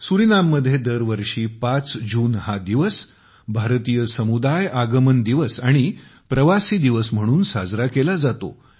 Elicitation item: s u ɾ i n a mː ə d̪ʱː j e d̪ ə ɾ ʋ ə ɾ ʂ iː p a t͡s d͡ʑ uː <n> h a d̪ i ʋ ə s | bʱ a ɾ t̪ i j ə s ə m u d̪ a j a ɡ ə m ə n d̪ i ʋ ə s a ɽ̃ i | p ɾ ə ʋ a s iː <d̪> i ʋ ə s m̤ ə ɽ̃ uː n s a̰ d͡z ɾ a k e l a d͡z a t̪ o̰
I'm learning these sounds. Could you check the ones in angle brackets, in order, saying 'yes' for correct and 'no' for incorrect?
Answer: yes, yes

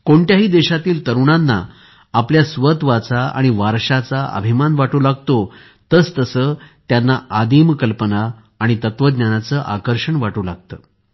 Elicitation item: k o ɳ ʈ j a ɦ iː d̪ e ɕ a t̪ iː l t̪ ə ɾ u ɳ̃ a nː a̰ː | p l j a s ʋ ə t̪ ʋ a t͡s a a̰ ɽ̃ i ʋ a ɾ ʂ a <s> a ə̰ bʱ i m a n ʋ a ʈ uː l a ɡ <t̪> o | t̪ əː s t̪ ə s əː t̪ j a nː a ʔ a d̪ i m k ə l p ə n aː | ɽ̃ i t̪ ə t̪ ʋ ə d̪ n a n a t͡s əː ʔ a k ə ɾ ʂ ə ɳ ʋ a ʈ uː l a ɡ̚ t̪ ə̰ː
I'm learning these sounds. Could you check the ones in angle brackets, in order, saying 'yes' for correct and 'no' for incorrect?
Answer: no, yes

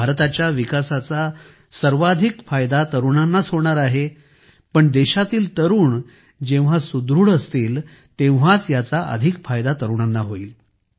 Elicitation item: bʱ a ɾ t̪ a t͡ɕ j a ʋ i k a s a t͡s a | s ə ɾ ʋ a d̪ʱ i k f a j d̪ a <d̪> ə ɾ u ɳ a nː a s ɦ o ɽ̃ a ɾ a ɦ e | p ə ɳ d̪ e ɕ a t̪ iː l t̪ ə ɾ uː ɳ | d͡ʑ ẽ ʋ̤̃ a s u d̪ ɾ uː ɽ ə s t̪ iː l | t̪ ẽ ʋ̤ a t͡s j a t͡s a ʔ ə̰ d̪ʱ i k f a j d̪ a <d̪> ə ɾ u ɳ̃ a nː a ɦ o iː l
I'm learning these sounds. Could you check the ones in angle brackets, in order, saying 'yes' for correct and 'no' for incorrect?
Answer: no, no

